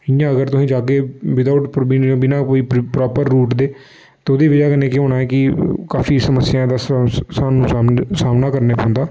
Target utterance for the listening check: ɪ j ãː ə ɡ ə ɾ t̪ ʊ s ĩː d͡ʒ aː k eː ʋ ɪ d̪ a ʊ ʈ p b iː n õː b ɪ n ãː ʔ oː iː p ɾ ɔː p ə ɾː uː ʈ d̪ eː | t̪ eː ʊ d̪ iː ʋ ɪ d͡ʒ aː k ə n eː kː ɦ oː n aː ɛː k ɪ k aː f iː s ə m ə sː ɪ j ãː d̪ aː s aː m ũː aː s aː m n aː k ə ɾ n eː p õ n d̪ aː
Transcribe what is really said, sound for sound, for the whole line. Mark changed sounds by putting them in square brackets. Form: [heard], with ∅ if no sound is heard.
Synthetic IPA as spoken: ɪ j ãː ə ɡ ə ɾ t̪ ʊ s ĩː d͡ʒ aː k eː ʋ ɪ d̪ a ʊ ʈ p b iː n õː b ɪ n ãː [k] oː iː p ɾ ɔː p ə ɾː uː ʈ d̪ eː | t̪ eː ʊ d̪ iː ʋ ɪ d͡ʒ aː k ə n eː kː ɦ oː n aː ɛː k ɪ k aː f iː s ə m ə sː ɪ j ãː d̪ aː s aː [n] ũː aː s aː m n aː k ə ɾ n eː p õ n d̪ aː

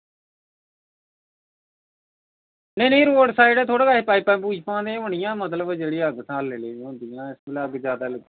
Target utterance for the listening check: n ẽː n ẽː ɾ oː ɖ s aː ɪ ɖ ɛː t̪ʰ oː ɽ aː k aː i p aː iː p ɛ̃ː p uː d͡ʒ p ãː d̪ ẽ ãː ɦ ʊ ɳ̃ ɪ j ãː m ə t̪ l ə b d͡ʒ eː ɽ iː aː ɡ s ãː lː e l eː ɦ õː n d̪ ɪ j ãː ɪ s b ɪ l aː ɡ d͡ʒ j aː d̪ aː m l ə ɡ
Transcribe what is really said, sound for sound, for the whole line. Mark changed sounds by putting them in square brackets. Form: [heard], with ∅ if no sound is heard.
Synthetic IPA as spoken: n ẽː n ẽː ɾ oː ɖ s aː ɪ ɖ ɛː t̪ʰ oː ɽ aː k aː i p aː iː p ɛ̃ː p uː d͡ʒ p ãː d̪ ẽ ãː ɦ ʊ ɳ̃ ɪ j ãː m ə t̪ l ə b d͡ʒ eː ɽ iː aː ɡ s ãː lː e l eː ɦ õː n d̪ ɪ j ãː ɪ s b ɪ l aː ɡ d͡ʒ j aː d̪ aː [∅] l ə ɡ

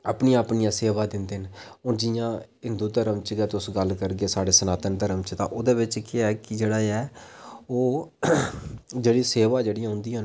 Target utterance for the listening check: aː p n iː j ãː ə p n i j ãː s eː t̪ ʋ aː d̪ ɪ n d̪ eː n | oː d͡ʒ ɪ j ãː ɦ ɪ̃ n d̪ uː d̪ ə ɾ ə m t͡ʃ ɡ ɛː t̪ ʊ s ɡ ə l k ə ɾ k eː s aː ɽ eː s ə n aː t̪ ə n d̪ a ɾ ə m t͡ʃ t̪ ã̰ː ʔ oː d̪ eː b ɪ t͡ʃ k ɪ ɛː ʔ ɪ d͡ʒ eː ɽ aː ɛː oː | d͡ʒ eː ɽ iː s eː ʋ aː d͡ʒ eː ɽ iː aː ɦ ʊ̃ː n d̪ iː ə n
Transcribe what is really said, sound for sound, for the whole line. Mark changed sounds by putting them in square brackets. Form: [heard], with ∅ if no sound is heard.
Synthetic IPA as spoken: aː p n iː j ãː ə p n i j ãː s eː [∅] ʋ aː d̪ ɪ n d̪ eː n | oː d͡ʒ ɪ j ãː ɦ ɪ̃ n d̪ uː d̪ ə ɾ ə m t͡ʃ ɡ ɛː t̪ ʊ s ɡ ə l k ə ɾ [ɡ] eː s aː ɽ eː s ə n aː t̪ ə n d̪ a ɾ ə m t͡ʃ t̪ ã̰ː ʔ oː d̪ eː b ɪ t͡ʃ k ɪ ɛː [k] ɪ d͡ʒ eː ɽ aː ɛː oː | d͡ʒ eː ɽ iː s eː ʋ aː d͡ʒ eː ɽ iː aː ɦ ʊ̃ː n d̪ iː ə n

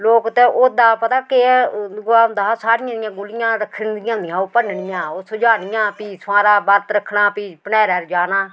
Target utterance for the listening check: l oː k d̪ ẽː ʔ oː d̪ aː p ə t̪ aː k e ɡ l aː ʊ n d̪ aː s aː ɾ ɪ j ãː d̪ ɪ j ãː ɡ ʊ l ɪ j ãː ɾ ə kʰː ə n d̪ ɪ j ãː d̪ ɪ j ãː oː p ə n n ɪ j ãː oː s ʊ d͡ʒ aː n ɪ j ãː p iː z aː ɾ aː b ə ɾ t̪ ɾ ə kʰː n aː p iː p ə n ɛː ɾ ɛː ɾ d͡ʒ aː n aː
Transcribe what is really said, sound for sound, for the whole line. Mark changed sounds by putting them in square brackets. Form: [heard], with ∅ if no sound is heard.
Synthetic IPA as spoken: l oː k [t̪] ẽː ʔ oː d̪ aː p ə t̪ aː k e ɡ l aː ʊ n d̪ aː s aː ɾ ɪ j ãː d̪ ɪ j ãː ɡ ʊ l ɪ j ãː ɾ ə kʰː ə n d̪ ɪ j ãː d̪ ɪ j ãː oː p ə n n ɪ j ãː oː s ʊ d͡ʒ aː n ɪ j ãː p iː [s] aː ɾ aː b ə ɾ t̪ ɾ ə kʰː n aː p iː p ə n ɛː ɾ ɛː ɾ d͡ʒ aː n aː

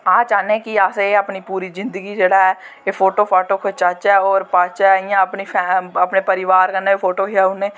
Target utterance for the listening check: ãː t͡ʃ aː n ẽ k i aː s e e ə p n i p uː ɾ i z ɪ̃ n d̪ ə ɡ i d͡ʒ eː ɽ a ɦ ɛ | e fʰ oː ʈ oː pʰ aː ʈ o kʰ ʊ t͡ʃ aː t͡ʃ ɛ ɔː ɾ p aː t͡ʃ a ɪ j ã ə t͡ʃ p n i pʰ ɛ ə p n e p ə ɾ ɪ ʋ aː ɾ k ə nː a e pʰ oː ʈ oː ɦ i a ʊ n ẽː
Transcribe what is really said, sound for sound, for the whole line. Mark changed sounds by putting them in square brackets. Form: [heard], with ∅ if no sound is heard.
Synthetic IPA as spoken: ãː t͡ʃ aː n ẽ k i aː s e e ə p n i p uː ɾ i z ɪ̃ n d̪ ə ɡ i d͡ʒ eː ɽ a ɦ ɛ | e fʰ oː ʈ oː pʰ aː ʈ o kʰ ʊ t͡ʃ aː t͡ʃ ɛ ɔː ɾ p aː t͡ʃ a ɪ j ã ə [∅] p n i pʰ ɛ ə p n e p ə ɾ ɪ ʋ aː ɾ k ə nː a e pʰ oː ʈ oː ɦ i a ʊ n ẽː

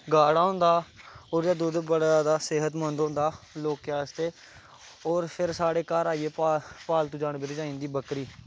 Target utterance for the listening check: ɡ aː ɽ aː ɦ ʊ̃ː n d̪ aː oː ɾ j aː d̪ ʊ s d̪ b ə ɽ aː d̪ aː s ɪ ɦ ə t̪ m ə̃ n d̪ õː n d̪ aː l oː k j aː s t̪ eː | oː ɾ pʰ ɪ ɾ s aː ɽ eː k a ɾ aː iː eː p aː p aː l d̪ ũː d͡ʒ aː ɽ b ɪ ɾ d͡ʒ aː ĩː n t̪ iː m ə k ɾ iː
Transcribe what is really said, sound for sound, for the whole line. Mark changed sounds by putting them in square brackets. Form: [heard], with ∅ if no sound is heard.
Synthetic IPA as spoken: ɡ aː ɽ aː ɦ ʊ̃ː n d̪ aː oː ɾ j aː d̪ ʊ [∅] d̪ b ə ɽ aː d̪ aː s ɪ ɦ ə t̪ m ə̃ n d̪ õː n d̪ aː l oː k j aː s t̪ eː | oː ɾ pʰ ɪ ɾ s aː ɽ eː k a ɾ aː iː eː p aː p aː l [t̪] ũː d͡ʒ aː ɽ b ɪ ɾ d͡ʒ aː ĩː n [d̪] iː [b] ə k ɾ iː

